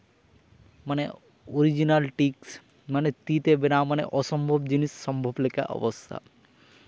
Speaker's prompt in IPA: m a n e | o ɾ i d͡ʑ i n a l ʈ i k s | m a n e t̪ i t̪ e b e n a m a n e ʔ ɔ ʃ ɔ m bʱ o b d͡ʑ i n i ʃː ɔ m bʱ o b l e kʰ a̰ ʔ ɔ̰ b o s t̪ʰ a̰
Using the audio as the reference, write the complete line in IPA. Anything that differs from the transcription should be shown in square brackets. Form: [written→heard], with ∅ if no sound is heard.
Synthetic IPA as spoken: m a n e | o ɾ i d͡ʑ i n a l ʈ i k s | m a n e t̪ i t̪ e b e n a m a n e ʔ ɔ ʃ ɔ m bʱ o b d͡ʑ i n i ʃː ɔ m bʱ o b l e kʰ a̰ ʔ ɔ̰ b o s t̪ʰ a̰